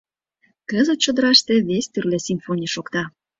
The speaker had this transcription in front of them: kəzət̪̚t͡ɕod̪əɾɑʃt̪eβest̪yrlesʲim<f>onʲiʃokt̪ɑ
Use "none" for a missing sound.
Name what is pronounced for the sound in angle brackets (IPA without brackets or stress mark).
f